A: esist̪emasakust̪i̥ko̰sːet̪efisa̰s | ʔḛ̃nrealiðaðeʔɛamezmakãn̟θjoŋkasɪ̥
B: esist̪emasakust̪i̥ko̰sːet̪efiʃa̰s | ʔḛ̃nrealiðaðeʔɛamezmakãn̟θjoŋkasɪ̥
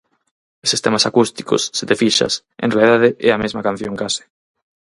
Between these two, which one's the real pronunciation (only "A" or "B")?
B